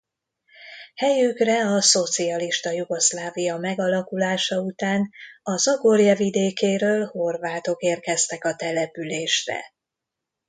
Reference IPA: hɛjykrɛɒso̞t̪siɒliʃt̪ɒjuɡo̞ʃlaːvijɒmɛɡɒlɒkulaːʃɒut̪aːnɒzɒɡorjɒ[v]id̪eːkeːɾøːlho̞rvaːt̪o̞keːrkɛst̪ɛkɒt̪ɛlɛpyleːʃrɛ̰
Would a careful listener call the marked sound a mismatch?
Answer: no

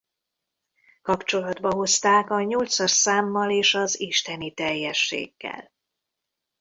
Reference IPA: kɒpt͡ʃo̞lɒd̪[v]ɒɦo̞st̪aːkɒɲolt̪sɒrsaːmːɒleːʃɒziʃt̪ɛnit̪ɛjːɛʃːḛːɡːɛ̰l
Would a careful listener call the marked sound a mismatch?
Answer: yes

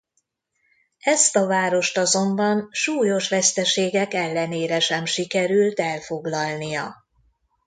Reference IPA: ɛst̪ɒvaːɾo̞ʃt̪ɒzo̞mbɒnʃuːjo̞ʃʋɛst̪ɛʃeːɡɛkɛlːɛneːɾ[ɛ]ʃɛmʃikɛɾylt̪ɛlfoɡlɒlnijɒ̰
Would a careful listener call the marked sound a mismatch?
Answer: no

